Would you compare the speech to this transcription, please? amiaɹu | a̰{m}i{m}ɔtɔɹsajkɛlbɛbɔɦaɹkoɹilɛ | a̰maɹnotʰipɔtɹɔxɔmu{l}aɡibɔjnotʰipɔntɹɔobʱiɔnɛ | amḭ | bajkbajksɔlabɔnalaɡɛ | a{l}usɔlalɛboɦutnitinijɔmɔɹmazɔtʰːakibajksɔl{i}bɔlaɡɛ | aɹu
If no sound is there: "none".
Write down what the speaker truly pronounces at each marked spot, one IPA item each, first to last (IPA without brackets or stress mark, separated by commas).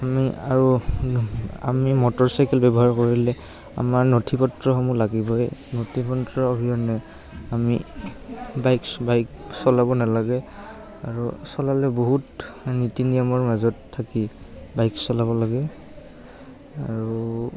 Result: m, m, l, ɹ, a